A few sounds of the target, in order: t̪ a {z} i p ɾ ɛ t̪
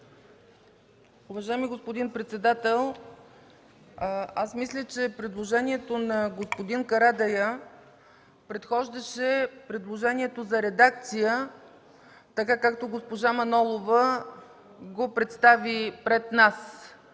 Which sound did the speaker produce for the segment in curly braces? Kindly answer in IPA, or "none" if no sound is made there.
v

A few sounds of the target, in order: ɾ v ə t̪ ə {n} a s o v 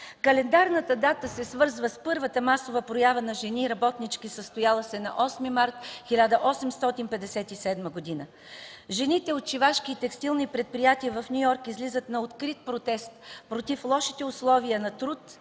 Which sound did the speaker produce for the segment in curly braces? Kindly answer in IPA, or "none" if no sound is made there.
m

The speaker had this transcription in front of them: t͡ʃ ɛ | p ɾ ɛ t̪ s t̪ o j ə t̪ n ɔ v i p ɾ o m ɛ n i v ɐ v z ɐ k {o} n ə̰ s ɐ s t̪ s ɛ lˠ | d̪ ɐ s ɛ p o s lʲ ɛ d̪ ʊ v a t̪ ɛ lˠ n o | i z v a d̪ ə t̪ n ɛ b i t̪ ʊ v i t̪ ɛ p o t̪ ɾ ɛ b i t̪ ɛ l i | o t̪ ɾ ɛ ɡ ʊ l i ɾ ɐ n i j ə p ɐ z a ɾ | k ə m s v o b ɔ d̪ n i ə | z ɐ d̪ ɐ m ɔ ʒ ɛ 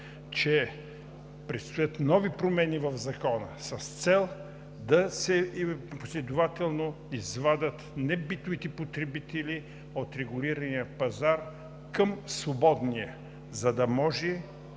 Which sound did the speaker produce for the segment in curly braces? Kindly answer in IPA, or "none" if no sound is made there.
ɔ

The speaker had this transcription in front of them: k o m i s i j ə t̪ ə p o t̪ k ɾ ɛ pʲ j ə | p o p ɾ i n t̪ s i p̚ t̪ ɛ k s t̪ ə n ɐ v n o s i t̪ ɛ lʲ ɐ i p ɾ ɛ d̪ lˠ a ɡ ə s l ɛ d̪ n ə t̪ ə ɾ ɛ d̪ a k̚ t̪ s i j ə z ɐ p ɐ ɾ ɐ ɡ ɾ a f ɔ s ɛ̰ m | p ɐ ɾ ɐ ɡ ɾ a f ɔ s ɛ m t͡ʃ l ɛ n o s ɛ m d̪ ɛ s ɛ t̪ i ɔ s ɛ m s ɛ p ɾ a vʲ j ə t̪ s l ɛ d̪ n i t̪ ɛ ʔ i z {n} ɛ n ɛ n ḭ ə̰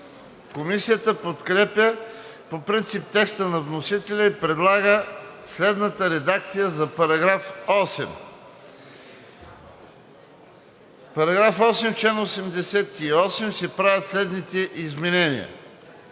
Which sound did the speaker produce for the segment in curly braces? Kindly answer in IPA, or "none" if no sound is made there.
m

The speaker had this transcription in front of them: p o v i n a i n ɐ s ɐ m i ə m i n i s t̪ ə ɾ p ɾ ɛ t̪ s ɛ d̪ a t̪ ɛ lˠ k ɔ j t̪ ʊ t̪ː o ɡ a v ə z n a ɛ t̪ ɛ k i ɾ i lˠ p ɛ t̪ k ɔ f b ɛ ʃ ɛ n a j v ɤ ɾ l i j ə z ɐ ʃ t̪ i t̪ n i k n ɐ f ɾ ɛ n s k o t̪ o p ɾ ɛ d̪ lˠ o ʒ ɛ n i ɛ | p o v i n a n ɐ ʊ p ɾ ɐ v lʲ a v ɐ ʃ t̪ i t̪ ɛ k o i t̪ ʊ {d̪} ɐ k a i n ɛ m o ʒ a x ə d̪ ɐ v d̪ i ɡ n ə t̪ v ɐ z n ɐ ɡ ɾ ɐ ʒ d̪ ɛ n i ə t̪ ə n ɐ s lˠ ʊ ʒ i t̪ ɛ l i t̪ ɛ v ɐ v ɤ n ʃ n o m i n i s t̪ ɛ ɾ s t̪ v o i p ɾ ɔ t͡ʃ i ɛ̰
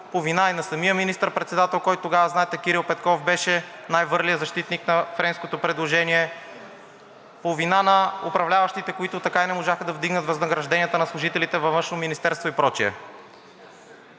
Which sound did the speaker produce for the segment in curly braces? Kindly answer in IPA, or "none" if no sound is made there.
t̪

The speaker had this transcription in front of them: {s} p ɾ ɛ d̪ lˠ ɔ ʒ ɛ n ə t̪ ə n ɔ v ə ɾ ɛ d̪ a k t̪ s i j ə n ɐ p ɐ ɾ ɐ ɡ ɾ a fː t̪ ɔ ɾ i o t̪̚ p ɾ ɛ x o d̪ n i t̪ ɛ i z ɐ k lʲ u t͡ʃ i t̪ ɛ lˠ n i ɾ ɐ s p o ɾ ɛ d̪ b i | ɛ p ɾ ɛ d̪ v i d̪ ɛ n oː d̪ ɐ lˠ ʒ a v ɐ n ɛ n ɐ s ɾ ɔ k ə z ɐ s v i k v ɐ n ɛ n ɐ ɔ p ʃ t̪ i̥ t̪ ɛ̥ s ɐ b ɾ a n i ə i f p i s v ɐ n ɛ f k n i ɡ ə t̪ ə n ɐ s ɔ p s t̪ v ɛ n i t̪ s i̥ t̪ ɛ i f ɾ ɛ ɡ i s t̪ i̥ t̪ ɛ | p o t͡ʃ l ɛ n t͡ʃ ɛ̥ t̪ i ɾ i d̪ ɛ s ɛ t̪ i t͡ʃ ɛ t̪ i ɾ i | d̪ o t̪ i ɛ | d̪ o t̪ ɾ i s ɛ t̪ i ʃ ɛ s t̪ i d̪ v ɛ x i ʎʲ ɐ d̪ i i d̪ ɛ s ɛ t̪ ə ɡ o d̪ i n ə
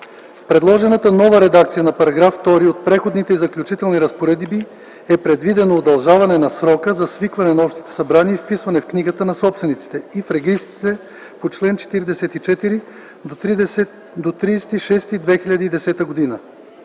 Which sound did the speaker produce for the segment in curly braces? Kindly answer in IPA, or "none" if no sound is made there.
f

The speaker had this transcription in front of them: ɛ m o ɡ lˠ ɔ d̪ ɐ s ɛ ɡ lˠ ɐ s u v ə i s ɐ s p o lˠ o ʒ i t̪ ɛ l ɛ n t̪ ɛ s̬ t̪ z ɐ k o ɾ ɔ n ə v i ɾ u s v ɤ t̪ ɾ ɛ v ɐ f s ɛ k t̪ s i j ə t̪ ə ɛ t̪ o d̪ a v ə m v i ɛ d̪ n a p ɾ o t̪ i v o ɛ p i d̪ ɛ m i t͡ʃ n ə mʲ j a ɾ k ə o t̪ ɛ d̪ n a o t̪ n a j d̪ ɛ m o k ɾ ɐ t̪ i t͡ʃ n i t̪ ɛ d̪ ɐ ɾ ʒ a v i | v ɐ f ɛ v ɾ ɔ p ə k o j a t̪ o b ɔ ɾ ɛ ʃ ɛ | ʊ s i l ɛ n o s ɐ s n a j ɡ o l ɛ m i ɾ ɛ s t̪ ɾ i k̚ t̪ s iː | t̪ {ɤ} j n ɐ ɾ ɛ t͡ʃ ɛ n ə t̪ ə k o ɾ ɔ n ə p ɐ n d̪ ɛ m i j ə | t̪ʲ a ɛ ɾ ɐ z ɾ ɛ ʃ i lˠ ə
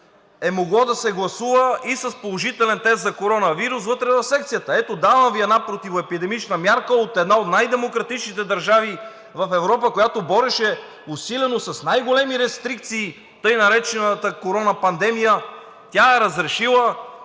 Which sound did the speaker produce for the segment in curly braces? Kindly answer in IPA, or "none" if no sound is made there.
ɤ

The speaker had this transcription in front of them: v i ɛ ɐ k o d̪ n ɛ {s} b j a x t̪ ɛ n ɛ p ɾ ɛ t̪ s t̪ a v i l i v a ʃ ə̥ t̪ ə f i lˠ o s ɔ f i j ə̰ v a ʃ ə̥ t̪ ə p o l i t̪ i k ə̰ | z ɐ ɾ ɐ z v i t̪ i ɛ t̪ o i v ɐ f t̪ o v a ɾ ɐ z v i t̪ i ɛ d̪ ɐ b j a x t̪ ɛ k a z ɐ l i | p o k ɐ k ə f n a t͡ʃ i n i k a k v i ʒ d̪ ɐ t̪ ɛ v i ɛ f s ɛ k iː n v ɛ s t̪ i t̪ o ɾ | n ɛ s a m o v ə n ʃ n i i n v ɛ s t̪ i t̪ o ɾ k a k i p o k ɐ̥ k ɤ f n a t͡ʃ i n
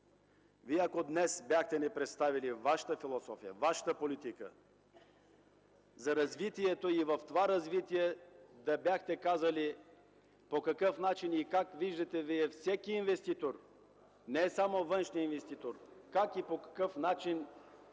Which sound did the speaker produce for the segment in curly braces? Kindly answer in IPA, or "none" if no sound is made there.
s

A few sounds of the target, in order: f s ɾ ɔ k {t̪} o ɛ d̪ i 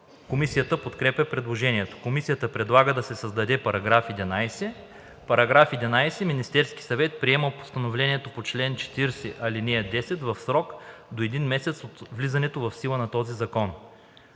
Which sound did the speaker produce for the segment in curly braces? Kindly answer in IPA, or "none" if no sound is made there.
d̪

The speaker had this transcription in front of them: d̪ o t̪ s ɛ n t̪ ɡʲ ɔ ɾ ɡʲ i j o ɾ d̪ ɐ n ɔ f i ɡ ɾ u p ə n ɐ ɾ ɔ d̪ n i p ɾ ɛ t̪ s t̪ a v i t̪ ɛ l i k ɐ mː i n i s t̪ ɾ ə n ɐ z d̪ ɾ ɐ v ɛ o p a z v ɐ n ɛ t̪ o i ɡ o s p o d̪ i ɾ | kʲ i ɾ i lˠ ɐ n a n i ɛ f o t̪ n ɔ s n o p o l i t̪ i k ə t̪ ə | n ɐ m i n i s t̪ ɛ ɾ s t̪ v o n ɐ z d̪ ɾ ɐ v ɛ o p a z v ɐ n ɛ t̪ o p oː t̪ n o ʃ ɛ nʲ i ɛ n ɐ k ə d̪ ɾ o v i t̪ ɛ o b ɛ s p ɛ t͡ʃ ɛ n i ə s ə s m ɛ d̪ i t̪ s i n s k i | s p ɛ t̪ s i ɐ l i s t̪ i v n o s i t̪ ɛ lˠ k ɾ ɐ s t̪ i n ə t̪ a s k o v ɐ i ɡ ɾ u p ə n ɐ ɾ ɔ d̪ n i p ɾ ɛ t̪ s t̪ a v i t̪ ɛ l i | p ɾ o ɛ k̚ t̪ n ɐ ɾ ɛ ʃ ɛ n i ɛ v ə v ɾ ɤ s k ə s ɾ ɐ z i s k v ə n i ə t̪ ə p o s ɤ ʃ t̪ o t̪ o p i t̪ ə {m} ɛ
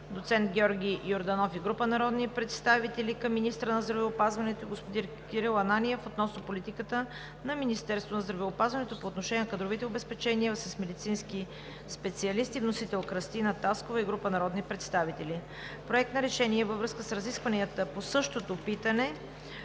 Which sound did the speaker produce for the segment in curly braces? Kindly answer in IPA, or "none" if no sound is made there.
n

